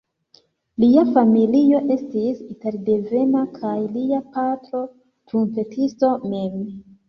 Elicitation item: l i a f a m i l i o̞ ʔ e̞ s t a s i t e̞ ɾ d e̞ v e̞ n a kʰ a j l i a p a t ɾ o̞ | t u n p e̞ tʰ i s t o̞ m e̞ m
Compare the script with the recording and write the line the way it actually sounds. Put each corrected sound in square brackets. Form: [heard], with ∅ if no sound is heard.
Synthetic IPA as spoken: l i a f a m i l i o̞ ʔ e̞ s t [i] s i t e̞ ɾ d e̞ v e̞ n a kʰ a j l i a p a t ɾ o̞ | t u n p e̞ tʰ i s t o̞ m e̞ m